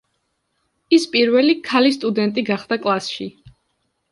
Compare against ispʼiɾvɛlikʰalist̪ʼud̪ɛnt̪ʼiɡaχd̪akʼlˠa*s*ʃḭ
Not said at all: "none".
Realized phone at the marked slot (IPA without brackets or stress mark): s